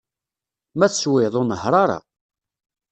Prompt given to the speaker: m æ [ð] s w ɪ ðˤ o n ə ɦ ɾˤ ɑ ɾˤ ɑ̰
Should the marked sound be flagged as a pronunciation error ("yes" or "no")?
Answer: yes